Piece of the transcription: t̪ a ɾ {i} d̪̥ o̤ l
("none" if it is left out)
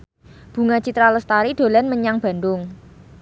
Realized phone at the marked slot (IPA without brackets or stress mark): i